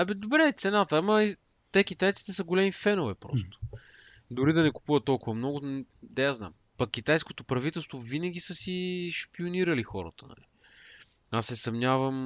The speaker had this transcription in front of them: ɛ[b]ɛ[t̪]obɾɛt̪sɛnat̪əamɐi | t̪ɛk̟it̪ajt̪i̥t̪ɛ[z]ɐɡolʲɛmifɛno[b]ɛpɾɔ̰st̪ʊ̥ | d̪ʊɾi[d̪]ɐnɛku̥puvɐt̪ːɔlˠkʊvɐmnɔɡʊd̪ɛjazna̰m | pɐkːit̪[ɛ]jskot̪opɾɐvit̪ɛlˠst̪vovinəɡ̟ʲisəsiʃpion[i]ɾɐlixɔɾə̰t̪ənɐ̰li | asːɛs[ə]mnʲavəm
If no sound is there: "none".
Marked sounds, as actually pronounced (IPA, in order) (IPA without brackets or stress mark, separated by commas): b, d̪, s, v, d̪, a, i, ɐ